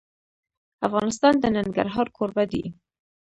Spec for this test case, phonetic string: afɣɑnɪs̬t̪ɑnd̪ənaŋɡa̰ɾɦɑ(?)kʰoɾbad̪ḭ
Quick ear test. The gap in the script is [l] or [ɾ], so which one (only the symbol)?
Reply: ɾ